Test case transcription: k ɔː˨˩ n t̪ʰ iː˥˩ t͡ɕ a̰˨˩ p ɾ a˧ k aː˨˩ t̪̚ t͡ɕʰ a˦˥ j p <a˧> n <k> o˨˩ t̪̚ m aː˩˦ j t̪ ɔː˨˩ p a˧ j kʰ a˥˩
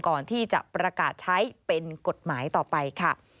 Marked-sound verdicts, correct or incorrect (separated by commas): incorrect, correct